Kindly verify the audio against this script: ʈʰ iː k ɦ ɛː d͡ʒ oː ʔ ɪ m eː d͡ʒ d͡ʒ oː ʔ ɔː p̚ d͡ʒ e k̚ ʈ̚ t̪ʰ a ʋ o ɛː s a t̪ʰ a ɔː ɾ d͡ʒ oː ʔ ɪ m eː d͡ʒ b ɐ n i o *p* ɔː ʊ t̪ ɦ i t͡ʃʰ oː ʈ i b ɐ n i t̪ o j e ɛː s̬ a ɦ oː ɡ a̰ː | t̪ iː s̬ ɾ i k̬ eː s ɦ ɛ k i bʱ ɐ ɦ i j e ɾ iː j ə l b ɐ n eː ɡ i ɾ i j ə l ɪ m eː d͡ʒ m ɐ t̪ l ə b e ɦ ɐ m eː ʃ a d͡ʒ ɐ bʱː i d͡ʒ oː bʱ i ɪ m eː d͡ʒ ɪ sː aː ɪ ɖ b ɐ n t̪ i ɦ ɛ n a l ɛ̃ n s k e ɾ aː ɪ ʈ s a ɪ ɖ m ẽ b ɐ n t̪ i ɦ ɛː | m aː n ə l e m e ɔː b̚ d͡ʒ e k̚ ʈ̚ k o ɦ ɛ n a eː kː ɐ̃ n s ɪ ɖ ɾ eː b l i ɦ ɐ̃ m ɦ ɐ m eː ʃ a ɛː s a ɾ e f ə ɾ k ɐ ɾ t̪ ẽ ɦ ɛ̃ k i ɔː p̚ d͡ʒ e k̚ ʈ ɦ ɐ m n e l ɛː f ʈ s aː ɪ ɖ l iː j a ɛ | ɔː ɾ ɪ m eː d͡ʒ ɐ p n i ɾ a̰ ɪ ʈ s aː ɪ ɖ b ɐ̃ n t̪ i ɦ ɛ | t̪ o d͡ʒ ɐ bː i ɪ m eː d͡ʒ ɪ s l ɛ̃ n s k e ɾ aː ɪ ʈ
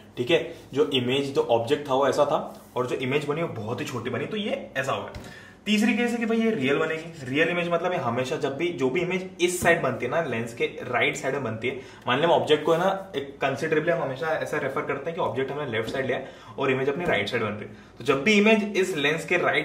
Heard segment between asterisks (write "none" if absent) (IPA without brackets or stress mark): b